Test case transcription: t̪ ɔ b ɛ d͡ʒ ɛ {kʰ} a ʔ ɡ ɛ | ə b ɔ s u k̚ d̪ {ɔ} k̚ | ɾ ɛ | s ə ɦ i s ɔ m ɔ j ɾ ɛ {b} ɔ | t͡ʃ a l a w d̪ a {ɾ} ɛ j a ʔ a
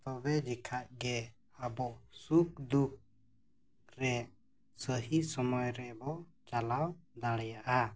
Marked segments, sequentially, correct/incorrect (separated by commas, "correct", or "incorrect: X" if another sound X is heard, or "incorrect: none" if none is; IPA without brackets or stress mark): correct, incorrect: u, correct, incorrect: ɽ